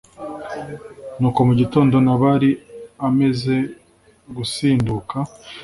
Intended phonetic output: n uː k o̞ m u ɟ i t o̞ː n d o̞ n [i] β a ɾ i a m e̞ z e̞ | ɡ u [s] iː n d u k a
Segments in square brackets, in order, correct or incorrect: incorrect: a, correct

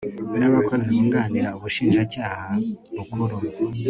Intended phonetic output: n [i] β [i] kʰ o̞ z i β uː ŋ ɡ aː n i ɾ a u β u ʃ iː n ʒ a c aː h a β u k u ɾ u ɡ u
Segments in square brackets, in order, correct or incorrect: incorrect: a, incorrect: a

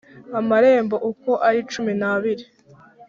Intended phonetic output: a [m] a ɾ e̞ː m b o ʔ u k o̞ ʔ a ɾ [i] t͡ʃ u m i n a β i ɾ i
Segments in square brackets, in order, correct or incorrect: correct, correct

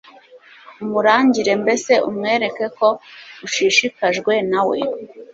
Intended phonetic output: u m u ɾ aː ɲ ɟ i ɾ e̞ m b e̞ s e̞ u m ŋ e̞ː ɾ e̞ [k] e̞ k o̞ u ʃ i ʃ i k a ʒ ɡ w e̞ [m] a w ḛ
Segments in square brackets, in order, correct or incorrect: correct, incorrect: n

